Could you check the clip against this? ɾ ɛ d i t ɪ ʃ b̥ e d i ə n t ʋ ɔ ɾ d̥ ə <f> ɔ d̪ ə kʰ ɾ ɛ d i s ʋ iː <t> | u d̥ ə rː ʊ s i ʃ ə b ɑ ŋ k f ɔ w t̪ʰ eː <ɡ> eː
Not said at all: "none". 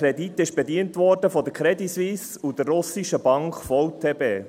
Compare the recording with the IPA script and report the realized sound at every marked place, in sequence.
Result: f, s, b

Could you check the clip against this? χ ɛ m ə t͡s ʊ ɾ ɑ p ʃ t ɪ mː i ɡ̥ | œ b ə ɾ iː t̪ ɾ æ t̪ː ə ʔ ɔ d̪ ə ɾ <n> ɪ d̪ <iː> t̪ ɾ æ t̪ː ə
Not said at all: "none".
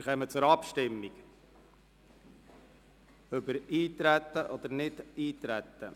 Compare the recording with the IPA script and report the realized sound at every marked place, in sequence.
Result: n, iː

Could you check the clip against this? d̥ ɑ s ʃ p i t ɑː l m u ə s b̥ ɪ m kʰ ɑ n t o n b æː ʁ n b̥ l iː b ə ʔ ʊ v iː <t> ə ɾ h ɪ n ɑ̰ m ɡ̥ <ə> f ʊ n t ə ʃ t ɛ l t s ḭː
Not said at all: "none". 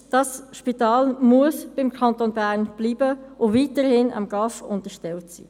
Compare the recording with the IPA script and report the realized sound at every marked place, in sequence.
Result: t, ɑ

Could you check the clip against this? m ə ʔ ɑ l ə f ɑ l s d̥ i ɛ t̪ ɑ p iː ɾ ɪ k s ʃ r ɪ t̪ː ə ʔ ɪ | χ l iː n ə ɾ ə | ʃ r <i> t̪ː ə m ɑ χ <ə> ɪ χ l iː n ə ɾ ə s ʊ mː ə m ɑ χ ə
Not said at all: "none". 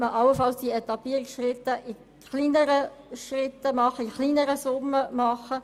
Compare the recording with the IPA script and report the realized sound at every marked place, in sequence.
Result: ɪ, ə

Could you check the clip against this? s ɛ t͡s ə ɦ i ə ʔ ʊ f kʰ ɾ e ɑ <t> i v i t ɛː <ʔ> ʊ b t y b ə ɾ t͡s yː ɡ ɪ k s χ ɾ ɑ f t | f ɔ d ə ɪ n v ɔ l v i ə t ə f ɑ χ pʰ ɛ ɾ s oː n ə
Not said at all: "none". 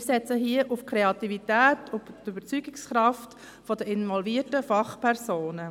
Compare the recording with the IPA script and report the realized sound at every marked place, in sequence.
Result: t, t

